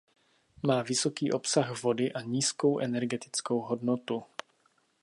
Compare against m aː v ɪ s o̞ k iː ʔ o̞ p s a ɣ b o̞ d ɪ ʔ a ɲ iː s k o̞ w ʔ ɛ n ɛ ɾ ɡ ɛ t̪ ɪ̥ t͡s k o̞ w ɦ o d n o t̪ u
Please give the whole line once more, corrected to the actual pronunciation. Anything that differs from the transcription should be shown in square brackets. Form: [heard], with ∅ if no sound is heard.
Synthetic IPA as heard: m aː v ɪ s o̞ k iː ʔ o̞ p s a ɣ [v] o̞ d ɪ ʔ a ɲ iː s k o̞ w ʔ ɛ n ɛ ɾ ɡ ɛ t̪ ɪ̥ t͡s k o̞ w ɦ o d n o t̪ u